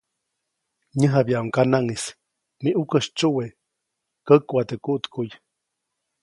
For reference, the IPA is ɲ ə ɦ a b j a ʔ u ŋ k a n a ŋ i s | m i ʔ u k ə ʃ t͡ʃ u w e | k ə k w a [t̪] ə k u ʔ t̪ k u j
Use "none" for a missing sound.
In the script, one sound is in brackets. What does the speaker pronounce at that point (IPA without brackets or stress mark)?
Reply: t̪